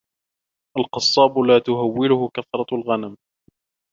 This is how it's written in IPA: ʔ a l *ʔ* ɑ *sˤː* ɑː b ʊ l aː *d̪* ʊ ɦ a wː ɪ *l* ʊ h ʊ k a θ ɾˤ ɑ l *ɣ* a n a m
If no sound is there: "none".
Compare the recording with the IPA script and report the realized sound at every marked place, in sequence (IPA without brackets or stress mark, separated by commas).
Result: q, sˤː, t̪, l, ɣ